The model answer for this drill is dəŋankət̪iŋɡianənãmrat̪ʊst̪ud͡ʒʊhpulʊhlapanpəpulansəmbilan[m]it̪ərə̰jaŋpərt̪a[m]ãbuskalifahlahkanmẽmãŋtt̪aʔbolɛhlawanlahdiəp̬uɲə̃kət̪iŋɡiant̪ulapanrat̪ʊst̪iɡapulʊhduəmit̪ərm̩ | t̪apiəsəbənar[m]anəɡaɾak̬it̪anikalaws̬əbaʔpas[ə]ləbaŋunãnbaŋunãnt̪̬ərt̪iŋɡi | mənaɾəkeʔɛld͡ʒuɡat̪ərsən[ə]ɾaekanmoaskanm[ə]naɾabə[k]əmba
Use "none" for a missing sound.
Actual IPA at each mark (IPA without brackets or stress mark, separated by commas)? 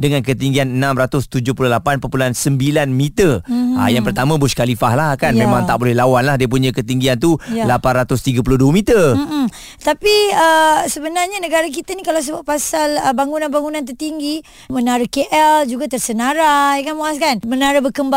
m, m, ɲ, a, a, ə, k